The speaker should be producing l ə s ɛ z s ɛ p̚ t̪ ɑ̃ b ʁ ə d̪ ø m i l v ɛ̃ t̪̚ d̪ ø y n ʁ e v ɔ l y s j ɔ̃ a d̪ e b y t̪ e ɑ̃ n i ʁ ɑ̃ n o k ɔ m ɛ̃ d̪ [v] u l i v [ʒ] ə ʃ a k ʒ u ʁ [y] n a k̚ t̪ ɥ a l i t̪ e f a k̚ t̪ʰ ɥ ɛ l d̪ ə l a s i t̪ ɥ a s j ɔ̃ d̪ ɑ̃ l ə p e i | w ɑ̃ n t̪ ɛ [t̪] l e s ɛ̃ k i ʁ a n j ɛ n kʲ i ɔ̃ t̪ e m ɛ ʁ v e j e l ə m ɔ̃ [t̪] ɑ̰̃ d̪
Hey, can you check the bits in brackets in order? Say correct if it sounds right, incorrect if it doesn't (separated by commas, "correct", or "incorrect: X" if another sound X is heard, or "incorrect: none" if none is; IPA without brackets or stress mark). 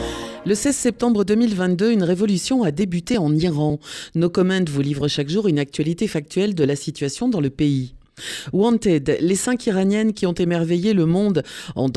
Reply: correct, incorrect: ʁ, correct, incorrect: d̪, incorrect: d̪